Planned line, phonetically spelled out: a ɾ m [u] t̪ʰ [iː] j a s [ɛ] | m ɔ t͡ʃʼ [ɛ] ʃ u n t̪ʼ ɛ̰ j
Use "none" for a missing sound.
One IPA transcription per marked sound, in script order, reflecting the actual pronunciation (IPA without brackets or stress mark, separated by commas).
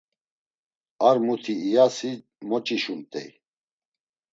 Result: u, iː, i, i